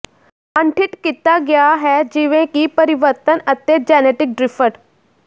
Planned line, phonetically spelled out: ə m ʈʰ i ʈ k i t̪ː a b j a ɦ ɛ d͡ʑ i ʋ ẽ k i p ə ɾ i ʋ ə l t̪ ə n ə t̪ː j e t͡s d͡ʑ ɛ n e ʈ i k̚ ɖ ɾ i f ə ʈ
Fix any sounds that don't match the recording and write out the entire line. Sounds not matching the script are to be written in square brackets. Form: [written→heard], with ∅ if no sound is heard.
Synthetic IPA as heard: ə [m→ɳ] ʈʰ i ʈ k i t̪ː a [b→ɡ] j a ɦ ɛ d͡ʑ i ʋ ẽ k i p ə ɾ i ʋ ə [l→ɾ] t̪ ə n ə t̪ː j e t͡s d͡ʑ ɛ n e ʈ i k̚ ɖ ɾ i f ə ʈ